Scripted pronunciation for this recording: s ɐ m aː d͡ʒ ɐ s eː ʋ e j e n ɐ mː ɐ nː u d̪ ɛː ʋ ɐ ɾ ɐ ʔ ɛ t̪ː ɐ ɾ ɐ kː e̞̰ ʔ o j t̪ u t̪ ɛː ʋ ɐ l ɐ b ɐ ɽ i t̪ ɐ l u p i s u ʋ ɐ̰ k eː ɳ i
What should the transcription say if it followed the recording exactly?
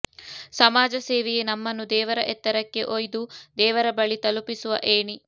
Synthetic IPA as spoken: s ɐ m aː d͡ʒ ɐ s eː ʋ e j e n ɐ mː ɐ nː u d̪ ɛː ʋ ɐ ɾ ɐ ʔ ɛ t̪ː ɐ ɾ ɐ kː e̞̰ ʔ o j d̪ u d̪ ɛː ʋ ɐ ɾ ɐ b ɐ ɭ i t̪ ɐ l u p i s u ʋ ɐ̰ ʔ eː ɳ i